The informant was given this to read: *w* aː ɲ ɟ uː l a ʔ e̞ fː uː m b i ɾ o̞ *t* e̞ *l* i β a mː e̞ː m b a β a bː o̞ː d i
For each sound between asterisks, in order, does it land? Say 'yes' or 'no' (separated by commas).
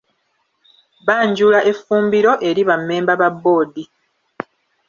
no, no, no